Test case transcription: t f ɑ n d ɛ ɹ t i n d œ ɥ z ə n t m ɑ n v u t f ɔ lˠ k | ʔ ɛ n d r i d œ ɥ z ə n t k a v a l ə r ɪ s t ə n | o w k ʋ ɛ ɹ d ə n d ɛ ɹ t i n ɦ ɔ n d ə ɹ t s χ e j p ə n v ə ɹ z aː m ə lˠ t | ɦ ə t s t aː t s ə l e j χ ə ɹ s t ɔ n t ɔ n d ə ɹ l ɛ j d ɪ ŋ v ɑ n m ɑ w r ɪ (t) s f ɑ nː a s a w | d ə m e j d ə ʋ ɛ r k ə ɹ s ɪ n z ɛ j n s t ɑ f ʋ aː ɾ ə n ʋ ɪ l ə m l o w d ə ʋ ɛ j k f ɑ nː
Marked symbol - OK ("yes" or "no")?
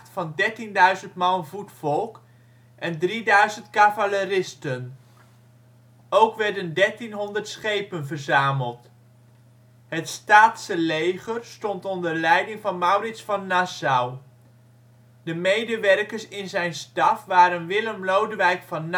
yes